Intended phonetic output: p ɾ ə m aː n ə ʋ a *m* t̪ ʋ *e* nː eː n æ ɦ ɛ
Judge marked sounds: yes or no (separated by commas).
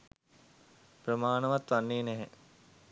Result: no, no